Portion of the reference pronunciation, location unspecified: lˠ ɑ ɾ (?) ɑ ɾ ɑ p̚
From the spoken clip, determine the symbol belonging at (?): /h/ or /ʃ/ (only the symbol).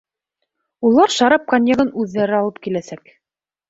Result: ʃ